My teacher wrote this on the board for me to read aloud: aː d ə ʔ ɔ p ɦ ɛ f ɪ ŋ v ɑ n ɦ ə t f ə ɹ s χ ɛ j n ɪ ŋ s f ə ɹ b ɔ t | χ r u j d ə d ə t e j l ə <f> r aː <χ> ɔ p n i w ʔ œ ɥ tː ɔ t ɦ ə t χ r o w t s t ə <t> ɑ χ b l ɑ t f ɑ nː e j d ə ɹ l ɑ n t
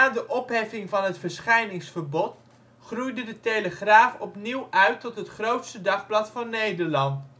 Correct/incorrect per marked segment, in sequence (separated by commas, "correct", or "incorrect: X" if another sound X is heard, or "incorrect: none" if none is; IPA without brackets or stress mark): incorrect: χ, incorrect: f, incorrect: d